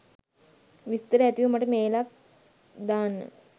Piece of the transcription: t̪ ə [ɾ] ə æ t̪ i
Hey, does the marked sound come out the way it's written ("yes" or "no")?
yes